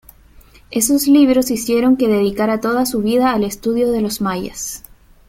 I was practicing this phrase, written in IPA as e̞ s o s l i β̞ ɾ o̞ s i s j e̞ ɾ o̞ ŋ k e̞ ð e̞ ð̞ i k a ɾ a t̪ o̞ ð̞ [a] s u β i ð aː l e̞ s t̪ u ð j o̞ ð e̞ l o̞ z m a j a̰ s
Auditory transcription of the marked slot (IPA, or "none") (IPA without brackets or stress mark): a